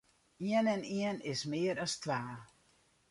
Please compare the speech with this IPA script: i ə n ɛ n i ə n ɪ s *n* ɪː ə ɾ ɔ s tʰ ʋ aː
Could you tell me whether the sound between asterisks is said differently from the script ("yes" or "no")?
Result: yes